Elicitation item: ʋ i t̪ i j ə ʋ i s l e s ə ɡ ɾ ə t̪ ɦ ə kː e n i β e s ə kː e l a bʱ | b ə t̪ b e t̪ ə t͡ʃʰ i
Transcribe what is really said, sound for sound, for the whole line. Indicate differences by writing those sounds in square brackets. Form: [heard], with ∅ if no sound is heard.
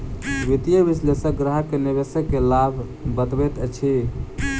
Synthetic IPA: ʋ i t̪ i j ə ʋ i s l e s ə ɡ ɾ ə [∅] ɦ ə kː e n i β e s ə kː e l a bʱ | b ə t̪ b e t̪ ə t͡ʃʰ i